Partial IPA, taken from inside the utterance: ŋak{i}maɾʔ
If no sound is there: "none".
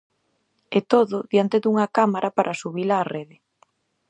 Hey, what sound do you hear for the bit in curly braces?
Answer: a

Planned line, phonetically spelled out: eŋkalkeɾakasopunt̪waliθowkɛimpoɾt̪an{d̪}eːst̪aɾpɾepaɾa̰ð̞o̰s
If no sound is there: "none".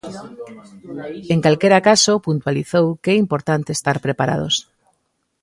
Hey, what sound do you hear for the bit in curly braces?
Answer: t̪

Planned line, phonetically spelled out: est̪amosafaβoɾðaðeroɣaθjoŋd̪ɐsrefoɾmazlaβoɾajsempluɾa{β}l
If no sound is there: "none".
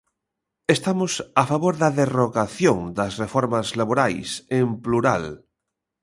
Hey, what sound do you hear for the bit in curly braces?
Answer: none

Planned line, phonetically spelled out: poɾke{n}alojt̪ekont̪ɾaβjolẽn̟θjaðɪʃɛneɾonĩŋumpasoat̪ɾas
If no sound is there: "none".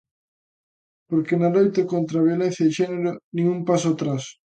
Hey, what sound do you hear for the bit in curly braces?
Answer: n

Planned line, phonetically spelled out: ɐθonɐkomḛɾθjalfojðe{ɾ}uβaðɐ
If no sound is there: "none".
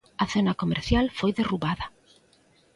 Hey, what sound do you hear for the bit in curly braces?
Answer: r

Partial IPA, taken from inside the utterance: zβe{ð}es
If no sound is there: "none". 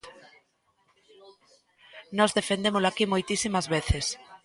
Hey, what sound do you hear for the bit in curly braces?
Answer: θ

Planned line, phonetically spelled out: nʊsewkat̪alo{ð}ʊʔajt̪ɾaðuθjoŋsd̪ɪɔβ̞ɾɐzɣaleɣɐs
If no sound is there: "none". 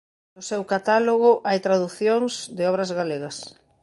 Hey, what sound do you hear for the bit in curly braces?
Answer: ɣ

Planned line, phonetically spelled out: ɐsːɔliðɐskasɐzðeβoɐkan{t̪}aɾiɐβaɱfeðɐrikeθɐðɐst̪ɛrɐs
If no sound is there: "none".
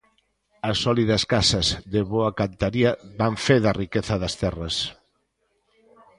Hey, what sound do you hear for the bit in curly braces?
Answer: t̪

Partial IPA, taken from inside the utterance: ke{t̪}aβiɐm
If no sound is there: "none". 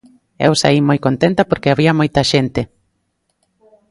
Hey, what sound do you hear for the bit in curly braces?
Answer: none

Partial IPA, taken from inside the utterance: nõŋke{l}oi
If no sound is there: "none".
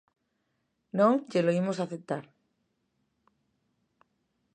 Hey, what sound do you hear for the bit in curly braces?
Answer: l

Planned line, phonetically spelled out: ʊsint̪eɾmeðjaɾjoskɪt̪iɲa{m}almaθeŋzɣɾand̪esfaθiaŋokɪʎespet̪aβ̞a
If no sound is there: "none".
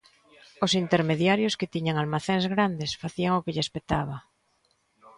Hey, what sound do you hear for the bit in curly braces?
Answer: ŋ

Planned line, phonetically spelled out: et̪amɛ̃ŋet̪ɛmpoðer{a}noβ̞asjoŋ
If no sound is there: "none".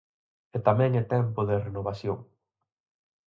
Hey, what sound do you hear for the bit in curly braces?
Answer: e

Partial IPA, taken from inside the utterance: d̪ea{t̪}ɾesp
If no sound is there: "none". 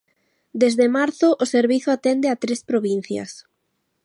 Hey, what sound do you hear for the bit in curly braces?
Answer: t̪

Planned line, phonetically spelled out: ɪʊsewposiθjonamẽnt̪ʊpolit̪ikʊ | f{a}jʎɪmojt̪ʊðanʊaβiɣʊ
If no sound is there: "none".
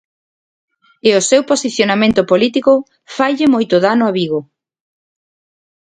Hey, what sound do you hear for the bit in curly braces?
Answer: a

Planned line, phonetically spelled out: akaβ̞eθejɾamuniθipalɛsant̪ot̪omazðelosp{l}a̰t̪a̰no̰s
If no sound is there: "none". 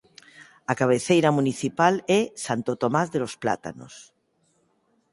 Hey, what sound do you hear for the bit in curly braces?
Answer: l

